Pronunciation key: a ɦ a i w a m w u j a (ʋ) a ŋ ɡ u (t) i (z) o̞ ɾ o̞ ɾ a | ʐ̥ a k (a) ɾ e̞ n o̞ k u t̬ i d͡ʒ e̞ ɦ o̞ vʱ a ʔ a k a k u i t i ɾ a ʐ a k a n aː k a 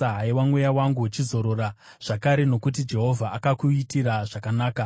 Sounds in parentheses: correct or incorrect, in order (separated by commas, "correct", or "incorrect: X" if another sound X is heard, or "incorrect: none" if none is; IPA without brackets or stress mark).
incorrect: w, incorrect: t͡ʃ, correct, correct